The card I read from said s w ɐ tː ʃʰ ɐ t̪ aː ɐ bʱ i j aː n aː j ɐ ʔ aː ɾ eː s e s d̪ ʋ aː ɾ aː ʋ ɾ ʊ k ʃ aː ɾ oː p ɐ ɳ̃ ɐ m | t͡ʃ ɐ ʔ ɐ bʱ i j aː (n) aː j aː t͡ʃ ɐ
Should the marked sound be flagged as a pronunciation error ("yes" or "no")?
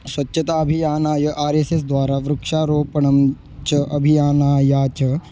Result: no